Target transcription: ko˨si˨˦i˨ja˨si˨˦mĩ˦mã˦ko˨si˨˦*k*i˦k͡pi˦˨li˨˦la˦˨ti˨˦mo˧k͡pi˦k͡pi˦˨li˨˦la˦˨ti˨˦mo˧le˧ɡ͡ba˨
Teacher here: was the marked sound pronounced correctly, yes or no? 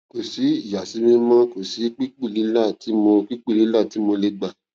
no